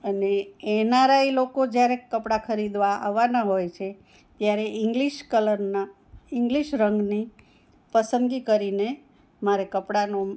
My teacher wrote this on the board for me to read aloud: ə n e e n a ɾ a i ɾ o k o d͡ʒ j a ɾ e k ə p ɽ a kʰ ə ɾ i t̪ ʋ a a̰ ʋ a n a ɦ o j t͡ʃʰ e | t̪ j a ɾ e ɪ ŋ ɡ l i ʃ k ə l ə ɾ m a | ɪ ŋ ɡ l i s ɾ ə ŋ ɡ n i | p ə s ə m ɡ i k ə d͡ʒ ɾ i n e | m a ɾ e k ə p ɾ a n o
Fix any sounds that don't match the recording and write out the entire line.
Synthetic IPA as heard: ə n e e n a ɾ a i l o k o d͡ʒ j a ɾ e k ə p ɽ a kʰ ə ɾ i d̪ ʋ a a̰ ʋ a n a ɦ o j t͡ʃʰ e | t̪ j a ɾ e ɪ ŋ ɡ l i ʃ k ə l ə ɾ n a | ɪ ŋ ɡ l i ʃ ɾ ə ŋ ɡ n i | p ə s ə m ɡ i k ə ɾ i n e | m a ɾ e k ə p ɽ a n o